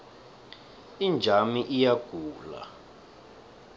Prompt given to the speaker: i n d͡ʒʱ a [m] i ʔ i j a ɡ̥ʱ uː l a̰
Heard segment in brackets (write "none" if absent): m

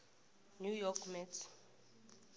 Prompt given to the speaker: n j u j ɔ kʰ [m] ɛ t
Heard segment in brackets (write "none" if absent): m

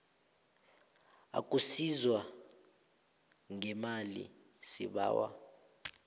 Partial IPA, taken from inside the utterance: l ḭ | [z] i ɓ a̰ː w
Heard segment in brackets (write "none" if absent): s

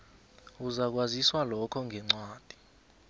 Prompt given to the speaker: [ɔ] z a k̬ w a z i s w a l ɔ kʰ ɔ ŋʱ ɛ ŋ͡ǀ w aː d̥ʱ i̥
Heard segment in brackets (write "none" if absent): u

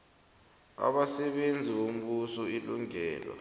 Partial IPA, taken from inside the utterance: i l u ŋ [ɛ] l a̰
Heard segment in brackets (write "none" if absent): ɛː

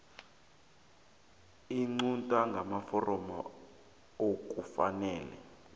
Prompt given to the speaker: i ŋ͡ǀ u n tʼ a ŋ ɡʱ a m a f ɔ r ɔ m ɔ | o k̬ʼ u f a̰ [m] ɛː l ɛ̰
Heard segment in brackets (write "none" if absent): n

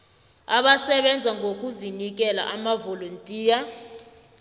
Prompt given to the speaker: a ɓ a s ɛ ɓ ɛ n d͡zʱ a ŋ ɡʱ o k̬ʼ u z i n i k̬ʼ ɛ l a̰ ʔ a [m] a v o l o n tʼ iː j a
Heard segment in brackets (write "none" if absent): m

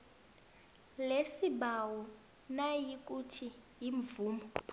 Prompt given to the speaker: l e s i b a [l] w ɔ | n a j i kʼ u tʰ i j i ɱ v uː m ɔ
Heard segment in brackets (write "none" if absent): none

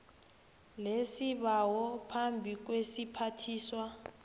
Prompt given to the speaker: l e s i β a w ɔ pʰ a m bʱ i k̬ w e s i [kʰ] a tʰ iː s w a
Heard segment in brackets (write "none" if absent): pʰ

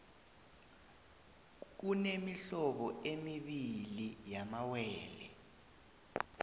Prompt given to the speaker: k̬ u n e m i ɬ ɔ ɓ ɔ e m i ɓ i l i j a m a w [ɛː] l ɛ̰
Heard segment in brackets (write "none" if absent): ɛː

